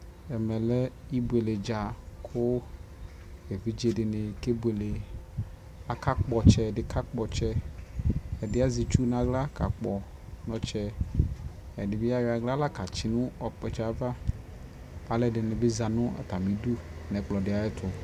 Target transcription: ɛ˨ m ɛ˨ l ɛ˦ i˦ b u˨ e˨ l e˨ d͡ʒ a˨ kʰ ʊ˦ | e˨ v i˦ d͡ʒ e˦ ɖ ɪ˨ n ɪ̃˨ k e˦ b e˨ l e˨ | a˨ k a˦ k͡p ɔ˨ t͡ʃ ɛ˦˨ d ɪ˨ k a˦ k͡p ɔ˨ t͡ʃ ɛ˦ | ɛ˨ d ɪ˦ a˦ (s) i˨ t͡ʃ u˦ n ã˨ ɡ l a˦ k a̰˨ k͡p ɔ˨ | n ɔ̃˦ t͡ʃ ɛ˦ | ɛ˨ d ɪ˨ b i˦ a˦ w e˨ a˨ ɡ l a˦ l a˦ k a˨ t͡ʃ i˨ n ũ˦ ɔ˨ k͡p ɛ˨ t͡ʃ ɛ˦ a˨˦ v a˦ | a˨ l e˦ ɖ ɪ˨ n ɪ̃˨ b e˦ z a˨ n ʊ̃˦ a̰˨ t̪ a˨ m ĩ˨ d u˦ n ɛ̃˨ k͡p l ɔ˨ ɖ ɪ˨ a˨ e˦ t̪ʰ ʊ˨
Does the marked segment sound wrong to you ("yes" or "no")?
yes